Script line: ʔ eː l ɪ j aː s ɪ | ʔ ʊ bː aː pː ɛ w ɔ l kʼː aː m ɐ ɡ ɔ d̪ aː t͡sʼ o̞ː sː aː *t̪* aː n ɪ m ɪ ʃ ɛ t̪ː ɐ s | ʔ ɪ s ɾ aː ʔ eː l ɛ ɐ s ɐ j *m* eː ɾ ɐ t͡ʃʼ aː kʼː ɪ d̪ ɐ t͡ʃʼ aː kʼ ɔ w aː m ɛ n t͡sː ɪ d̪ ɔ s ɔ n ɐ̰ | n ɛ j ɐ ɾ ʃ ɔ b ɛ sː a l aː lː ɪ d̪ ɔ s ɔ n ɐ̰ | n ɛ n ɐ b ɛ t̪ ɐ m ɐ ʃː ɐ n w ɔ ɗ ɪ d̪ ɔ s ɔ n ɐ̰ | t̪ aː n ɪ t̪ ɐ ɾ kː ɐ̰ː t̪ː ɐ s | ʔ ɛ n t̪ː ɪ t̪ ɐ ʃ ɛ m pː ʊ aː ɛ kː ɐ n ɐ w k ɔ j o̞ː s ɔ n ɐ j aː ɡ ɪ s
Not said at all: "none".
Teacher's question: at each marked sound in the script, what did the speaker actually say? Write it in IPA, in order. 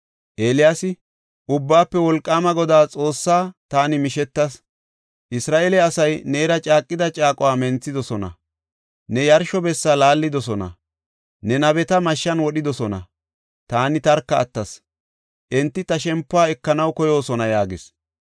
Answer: t̪, n

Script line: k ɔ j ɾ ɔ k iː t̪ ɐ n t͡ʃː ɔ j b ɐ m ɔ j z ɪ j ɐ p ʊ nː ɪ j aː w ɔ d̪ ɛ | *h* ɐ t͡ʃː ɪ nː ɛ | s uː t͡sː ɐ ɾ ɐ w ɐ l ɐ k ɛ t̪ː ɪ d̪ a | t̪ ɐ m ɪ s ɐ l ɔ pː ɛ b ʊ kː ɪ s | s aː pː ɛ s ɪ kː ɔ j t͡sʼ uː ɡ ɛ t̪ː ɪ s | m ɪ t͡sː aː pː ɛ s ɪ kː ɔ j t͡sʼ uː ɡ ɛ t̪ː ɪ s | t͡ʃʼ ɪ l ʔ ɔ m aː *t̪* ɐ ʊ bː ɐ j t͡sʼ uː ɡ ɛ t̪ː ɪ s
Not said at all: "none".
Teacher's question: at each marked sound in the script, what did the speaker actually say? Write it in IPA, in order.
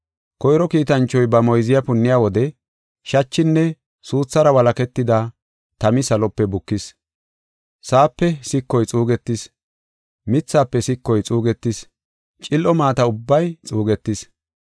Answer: ʃ, t̪

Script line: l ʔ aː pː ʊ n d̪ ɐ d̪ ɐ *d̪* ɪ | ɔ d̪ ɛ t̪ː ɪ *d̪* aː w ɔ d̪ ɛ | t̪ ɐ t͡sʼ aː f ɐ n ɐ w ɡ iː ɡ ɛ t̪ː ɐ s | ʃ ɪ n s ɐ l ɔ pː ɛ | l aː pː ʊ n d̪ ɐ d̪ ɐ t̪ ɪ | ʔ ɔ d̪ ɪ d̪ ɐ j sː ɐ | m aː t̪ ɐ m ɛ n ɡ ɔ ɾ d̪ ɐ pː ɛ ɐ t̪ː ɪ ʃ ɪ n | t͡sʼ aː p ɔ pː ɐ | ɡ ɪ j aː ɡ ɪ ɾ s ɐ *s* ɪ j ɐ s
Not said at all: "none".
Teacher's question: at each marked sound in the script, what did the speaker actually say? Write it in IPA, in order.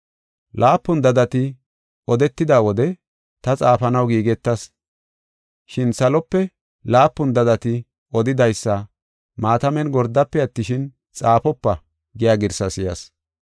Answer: t̪, d̪, s

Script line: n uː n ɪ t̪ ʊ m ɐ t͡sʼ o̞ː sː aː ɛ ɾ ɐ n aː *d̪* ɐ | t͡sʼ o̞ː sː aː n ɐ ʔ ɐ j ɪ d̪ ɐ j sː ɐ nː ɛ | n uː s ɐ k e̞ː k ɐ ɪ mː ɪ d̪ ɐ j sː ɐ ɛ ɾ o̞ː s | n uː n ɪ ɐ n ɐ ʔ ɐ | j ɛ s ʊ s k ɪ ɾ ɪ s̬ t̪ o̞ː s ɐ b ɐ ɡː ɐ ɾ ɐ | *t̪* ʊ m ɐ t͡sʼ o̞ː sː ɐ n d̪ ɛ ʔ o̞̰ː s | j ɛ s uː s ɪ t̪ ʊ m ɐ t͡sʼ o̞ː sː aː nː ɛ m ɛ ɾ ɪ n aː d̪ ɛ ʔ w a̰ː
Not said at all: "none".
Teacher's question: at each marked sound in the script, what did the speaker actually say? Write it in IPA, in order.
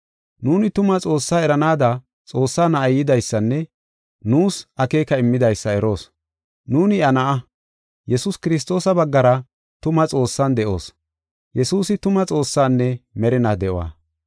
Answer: d̪, t̪

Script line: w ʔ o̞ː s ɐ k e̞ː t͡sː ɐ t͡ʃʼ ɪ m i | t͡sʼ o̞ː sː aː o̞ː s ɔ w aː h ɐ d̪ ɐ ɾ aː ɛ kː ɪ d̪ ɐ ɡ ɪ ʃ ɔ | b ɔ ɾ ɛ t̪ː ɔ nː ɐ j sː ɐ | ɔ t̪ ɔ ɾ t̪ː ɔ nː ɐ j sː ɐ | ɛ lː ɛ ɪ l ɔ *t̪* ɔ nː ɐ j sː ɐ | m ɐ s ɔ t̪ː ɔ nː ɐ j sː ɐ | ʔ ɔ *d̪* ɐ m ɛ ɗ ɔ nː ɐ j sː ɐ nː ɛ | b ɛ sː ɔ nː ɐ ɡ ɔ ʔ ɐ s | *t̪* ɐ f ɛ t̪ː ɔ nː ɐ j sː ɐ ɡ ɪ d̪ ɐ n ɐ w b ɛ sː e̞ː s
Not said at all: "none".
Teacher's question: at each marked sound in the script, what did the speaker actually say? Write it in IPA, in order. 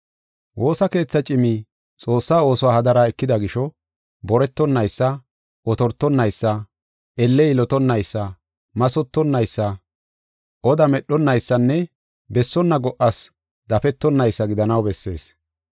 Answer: t̪, d̪, d̪

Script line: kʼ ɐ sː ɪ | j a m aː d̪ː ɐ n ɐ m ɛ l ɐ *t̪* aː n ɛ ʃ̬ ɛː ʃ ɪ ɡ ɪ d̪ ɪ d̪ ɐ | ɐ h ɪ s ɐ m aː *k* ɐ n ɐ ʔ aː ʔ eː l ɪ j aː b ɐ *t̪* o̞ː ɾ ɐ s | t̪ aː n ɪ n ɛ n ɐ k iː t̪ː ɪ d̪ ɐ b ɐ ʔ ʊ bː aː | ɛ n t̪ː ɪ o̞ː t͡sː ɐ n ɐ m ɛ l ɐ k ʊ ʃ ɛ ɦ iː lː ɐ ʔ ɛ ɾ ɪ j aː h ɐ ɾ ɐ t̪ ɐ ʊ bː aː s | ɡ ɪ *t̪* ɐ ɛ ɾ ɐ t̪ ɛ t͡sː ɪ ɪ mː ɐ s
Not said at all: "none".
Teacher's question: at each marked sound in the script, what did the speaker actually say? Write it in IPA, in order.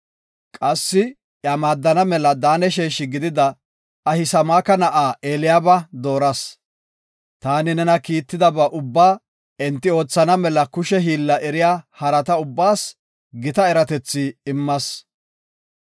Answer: d̪, k, d̪, t̪

